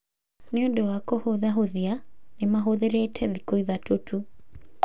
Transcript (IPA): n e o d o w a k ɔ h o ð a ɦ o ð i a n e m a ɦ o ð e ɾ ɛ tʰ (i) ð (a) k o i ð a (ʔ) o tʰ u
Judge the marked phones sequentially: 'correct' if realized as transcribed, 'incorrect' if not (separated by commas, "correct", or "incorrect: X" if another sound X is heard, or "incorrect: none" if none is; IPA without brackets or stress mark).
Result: incorrect: ɛ, incorrect: i, incorrect: t